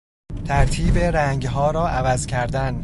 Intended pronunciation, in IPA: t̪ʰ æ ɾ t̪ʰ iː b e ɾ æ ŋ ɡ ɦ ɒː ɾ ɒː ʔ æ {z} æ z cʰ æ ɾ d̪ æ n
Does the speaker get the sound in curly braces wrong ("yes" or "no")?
yes